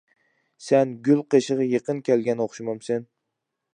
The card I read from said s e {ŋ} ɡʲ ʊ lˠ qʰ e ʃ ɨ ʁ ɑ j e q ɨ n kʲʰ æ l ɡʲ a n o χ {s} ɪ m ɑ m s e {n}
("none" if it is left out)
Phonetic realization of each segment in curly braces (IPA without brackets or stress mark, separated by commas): n, ʃ, n